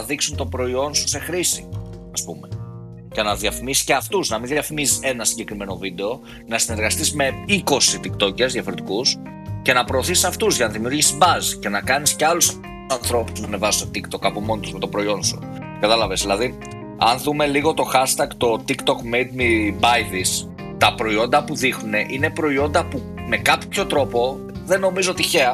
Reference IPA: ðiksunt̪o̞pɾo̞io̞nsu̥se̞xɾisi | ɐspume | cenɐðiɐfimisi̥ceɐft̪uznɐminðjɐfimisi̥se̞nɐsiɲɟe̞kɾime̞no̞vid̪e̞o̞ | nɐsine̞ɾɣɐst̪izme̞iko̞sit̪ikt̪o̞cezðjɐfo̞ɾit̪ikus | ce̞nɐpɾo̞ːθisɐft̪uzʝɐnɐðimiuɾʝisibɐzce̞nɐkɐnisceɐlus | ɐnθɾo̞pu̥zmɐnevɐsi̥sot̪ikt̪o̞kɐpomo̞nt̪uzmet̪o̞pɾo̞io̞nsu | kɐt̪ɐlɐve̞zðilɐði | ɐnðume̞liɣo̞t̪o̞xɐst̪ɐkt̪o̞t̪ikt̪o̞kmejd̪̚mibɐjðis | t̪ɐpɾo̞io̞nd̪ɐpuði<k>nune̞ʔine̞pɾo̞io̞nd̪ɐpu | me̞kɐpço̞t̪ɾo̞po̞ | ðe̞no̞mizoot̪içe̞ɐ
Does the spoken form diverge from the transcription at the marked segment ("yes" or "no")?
yes